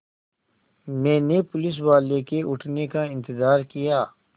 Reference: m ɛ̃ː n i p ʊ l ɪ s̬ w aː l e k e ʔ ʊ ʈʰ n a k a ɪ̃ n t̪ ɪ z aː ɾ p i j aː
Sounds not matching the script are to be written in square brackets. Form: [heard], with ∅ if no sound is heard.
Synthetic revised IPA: m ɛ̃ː n [e] p ʊ l ɪ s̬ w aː l e k e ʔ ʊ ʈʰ n [e] k a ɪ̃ n t̪ ɪ z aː ɾ [k] i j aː